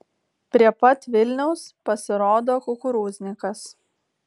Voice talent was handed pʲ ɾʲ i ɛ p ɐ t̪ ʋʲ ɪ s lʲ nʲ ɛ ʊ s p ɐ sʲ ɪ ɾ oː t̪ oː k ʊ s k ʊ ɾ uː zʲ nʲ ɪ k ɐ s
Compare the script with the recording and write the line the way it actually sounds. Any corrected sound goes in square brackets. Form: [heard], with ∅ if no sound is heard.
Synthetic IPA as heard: pʲ ɾʲ i ɛ p ɐ t̪ ʋʲ ɪ [∅] lʲ nʲ ɛ ʊ s p ɐ sʲ ɪ ɾ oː [d̪] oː k ʊ [∅] k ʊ ɾ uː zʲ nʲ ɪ k ɐ s